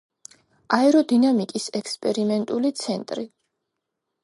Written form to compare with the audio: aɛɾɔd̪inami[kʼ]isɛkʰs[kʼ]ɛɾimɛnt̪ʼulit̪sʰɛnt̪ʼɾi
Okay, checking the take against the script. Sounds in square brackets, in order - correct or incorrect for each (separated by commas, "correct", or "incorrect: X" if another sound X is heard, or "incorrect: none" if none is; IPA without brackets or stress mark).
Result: correct, incorrect: pʼ